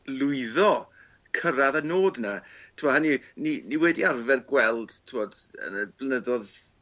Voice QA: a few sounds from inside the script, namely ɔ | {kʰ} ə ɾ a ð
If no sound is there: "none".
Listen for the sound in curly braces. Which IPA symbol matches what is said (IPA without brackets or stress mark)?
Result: kʰ